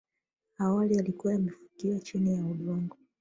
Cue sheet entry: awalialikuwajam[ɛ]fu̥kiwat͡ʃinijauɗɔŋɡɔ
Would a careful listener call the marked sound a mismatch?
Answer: no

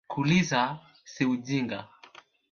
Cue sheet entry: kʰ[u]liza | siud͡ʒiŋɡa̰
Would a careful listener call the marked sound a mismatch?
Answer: no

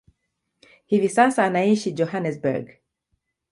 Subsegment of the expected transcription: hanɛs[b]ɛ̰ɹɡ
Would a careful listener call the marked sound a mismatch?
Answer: no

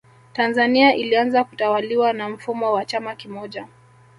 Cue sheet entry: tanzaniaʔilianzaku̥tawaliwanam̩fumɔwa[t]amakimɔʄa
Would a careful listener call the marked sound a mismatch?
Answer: yes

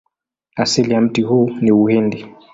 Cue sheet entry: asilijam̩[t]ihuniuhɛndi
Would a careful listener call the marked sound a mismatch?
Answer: no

